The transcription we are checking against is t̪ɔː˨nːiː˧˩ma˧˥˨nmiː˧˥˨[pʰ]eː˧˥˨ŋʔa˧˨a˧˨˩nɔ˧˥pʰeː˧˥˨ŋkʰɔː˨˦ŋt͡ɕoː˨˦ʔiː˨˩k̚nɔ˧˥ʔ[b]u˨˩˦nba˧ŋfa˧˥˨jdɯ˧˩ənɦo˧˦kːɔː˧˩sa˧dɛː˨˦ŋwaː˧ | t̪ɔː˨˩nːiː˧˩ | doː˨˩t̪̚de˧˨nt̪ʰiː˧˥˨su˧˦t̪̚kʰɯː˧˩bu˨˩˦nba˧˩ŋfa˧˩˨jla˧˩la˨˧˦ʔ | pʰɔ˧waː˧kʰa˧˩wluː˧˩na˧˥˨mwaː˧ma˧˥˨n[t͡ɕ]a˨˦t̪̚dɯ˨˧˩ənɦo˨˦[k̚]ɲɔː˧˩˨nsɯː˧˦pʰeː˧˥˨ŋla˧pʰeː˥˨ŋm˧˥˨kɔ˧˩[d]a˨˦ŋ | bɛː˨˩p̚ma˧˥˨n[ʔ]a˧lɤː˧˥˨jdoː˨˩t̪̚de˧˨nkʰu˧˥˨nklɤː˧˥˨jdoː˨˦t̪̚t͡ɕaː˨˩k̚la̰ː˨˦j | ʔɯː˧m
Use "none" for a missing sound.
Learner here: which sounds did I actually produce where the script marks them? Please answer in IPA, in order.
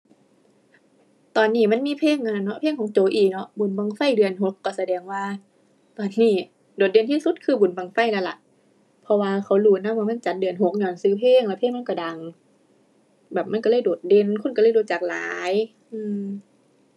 pʰ, b, t͡ɕ, k̚, d, k

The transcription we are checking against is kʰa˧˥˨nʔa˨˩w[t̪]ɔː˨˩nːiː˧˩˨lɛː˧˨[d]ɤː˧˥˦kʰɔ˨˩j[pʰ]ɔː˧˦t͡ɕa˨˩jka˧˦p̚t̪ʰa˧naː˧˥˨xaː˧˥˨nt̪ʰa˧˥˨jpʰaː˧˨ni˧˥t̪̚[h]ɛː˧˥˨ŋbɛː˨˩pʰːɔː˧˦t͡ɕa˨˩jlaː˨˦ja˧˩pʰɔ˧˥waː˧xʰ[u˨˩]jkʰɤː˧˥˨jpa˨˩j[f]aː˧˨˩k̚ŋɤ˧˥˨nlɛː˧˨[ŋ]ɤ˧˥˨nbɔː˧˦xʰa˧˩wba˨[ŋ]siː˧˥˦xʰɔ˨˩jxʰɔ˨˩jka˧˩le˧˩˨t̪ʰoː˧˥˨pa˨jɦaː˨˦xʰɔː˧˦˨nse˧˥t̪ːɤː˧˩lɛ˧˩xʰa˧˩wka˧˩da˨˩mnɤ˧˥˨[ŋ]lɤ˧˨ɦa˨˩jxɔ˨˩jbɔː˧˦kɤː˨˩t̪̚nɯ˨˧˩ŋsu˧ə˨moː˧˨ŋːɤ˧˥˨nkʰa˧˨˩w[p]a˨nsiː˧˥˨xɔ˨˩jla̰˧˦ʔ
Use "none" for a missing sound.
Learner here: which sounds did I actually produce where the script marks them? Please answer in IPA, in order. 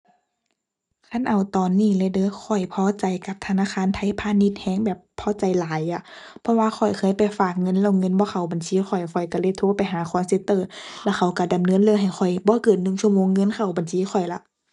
t̪, d, pʰ, h, ɔ˨˩, f, ŋ, n, n, b

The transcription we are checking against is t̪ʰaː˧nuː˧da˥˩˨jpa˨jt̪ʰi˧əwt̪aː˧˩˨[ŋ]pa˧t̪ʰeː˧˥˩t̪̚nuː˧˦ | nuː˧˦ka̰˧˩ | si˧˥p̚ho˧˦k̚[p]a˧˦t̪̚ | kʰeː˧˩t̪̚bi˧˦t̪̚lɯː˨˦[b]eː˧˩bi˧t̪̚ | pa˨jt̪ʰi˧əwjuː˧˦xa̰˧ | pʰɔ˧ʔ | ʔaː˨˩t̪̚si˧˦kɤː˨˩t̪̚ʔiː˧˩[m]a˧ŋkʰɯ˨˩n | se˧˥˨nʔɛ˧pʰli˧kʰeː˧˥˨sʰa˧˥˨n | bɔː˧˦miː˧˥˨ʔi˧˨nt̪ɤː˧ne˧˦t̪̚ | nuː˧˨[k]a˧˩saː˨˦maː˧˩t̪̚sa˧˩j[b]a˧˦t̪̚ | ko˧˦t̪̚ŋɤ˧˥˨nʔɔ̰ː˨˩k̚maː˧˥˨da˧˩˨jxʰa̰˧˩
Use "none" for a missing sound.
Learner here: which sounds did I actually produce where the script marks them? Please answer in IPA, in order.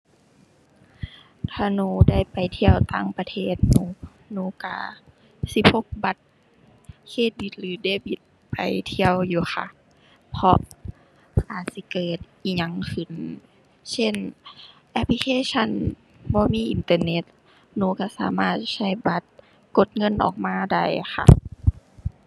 ŋ, b, d, ɲ, k, b

